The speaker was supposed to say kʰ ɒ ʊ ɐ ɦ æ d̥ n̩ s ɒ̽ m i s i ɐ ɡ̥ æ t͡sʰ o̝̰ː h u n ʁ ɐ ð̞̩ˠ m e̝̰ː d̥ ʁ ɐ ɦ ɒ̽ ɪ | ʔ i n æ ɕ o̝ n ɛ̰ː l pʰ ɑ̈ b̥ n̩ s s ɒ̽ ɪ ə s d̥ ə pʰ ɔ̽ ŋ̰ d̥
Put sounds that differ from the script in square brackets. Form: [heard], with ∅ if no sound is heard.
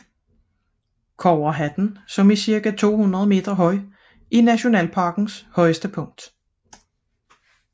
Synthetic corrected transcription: kʰ ɒ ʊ ɐ ɦ æ d̥ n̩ s ɒ̽ m i s i ɐ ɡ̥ æ t͡sʰ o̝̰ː h u n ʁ ɐ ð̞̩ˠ m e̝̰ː d̥ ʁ ɐ ɦ ɒ̽ ɪ | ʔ i n æ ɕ o̝ n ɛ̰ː l pʰ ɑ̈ [ɡ̥] n̩ s [h] ɒ̽ ɪ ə s d̥ ə pʰ ɔ̽ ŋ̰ d̥